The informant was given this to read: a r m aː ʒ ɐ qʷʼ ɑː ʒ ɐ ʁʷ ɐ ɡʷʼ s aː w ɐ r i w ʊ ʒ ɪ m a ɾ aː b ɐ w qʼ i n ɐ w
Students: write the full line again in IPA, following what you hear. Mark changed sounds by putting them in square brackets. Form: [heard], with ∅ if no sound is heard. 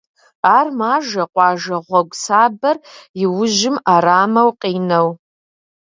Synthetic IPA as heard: a r m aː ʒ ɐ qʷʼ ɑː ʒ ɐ ʁʷ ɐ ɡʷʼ s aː [b] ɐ r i w ʊ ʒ ɪ m a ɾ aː [m] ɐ w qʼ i n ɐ w